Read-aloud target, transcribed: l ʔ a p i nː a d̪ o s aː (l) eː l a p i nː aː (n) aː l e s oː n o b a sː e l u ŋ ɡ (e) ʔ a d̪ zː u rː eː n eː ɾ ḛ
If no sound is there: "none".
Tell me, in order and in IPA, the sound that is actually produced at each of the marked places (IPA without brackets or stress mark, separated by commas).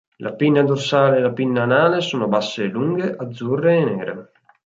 l, n, e